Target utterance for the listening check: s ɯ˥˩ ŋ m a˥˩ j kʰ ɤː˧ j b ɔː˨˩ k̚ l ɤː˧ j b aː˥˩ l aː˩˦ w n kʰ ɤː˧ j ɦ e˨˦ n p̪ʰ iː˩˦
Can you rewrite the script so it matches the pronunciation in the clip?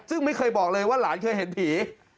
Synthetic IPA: s ɯ˥˩ ŋ m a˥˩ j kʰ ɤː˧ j b ɔː˨˩ k̚ l ɤː˧ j w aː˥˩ l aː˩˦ n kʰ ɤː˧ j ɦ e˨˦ n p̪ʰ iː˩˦